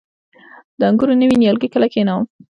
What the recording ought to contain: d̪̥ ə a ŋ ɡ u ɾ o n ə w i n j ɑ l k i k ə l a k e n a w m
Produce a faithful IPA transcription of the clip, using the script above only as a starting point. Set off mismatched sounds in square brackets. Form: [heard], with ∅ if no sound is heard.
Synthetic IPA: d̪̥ ə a ŋ ɡ u ɾ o n ə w i n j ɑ l [ɡ] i k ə l a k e n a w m

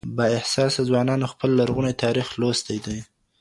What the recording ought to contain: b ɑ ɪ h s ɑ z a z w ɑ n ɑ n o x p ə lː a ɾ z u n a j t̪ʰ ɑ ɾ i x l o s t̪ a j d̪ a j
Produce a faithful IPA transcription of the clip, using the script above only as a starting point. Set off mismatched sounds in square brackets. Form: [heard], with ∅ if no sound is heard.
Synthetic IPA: b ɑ ɪ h s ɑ [s] a z w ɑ n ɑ n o x p ə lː a ɾ [ɣ] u n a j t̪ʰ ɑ ɾ i x l o s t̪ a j d̪ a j

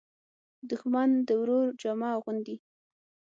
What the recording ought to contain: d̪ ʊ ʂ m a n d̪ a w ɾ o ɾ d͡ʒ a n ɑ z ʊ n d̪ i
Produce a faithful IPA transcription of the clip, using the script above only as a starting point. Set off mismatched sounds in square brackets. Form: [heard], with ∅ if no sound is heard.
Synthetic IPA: d̪ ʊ [x] m a n d̪ [ə] w ɾ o ɾ d͡ʒ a [m] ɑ [ɣ] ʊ n d̪ i

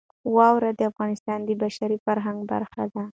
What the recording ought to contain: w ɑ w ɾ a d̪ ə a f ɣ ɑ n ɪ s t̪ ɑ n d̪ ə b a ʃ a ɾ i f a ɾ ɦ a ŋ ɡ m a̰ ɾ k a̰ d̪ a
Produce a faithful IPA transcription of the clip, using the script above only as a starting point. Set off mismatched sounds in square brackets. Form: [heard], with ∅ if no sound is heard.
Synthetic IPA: w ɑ w ɾ a d̪ ə a f ɣ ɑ n ɪ s t̪ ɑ n d̪ ə b a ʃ a ɾ i f a ɾ ɦ a ŋ ɡ [b] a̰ ɾ [x] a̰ d̪ a

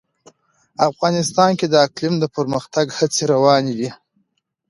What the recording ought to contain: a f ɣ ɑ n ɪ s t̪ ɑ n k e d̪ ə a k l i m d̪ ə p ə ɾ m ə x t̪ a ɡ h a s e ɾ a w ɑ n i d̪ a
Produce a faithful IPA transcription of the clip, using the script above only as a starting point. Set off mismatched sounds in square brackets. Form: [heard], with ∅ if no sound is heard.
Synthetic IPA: a f ɣ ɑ n ɪ s t̪ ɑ n k e d̪ ə a k l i m d̪ ə p ə ɾ m ə x t̪ a ɡ h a [t͡s] e ɾ a w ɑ n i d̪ [i]

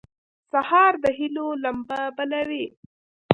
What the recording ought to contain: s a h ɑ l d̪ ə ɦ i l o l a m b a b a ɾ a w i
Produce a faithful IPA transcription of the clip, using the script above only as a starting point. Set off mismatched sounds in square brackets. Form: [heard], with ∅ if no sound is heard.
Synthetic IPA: s a h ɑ [ɾ] d̪ ə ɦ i l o l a m b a b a [l] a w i

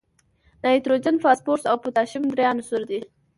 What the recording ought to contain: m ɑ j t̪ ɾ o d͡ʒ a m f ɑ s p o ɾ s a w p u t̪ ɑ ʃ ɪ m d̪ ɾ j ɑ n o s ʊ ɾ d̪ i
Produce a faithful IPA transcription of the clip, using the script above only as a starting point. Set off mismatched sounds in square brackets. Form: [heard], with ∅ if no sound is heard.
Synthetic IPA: [n] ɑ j t̪ ɾ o d͡ʒ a [n] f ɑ s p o ɾ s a w p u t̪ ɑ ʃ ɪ m d̪ ɾ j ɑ n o s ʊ ɾ d̪ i

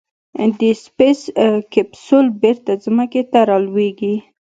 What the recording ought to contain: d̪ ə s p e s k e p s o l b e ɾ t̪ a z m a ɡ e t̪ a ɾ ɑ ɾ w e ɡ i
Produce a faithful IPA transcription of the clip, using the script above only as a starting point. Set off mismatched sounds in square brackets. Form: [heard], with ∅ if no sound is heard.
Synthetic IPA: d̪ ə s p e s k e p s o l b e ɾ t̪ a z m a [k] e t̪ a ɾ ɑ [l] w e ɡ i

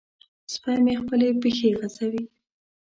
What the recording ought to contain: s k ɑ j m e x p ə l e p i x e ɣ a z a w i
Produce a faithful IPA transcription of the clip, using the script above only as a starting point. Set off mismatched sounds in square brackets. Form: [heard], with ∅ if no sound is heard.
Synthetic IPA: s [p] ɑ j m e x p ə l e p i x e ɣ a z a w i

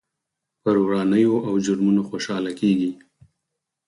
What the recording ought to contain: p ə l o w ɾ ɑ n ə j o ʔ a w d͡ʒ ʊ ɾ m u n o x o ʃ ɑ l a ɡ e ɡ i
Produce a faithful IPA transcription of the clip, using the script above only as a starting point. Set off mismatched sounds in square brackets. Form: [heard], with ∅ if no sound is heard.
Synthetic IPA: p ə [ɾ] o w ɾ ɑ n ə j o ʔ a w d͡ʒ ʊ ɾ m u n o x o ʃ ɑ l a [k] e ɡ i

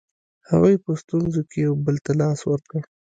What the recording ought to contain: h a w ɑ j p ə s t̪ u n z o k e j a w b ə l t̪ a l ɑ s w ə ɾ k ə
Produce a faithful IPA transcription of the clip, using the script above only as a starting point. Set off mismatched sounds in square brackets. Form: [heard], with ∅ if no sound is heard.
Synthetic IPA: h a w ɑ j p ə s t̪ u n z o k e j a w b ə l t̪ a l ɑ s w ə ɾ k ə

